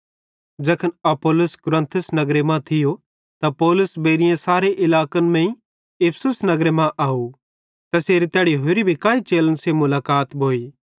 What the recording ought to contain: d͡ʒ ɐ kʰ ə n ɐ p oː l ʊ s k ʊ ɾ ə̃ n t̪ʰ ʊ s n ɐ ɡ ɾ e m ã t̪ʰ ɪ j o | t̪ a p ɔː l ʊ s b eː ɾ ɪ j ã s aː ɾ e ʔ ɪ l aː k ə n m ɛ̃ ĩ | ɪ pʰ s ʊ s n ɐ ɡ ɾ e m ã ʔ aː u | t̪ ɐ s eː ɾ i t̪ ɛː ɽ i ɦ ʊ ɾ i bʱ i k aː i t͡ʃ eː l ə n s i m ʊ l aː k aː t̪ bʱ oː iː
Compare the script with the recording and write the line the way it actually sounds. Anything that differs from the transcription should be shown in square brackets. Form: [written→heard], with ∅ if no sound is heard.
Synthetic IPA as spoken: d͡ʒ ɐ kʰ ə n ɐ p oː l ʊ s k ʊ ɾ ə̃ n t̪ʰ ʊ s n ɐ ɡ ɾ e m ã t̪ʰ ɪ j o | t̪ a p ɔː l ʊ s b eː ɾ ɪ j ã s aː ɾ e ʔ ɪ l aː k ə n m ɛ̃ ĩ | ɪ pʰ s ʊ s n ɐ ɡ ɾ e m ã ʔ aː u | t̪ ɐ s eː ɾ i t̪ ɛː ɽ i ɦ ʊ ɾ i bʱ i k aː i t͡ʃ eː l ə n s [i→e] m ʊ l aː k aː t̪ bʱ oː iː